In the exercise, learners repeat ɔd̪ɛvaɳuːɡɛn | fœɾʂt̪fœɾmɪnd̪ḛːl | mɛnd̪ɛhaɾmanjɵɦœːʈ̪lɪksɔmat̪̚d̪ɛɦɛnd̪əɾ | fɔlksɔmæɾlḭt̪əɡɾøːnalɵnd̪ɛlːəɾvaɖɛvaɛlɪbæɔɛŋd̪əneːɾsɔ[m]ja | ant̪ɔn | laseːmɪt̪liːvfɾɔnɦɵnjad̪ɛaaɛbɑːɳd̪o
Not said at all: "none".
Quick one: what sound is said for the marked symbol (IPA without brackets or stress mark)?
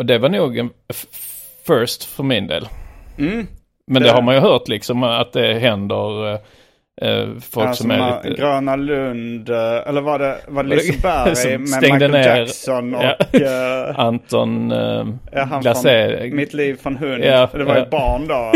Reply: n